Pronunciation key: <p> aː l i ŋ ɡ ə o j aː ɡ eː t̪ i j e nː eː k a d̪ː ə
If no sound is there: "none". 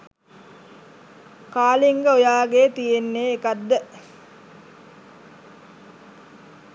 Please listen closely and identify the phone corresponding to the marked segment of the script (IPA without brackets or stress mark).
k